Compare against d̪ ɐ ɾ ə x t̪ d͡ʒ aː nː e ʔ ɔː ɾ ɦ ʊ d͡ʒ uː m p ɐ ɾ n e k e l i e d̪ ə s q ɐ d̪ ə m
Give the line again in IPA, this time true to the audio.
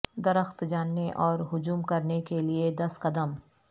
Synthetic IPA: d̪ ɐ ɾ ə x t̪ d͡ʒ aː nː e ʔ ɔː ɾ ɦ ʊ d͡ʒ uː m k ɐ ɾ n e k e l i e d̪ ɐ s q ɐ d̪ ə m